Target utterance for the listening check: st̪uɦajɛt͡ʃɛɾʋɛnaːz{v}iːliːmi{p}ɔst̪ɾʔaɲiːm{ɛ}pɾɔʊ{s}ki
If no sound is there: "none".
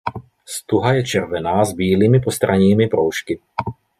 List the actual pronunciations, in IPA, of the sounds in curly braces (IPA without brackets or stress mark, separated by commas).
b, p, i, ʃ